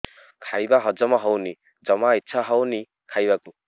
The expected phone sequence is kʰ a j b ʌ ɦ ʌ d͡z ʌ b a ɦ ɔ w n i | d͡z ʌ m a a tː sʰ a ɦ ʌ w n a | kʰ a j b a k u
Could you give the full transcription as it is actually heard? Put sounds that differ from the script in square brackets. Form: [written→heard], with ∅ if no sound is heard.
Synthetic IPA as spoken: kʰ a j b [ʌ→a] ɦ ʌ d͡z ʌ [b→m] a ɦ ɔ w n i | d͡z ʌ m a [a→i] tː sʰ a ɦ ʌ w n [a→i] | kʰ a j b a k u